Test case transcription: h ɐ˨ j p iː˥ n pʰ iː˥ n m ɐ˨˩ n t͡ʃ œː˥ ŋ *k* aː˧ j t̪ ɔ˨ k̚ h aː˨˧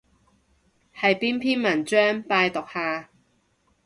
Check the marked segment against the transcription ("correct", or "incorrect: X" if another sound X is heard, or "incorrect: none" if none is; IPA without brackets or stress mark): incorrect: p